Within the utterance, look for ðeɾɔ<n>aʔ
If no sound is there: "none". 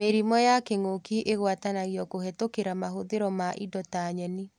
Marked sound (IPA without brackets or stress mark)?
m